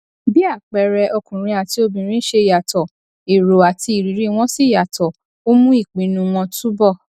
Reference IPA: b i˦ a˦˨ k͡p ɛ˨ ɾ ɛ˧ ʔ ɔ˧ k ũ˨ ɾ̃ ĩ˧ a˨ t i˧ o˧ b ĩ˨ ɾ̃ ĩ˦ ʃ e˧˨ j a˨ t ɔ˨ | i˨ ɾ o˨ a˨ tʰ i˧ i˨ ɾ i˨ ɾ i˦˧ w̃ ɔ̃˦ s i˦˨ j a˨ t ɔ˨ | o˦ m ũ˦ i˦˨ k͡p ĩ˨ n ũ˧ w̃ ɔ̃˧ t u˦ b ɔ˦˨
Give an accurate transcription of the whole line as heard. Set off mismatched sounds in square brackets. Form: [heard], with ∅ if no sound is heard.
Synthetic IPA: b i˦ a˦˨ k͡p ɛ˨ ɾ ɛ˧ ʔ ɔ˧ k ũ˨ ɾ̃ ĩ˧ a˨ t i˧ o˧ b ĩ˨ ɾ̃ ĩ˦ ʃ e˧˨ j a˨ t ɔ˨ | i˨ ɾ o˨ a˨ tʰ i˧ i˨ ɾ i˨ ɾ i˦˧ w̃ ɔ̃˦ s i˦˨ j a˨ t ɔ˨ | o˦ m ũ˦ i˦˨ k͡p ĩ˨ n ũ˧ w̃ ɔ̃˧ t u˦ b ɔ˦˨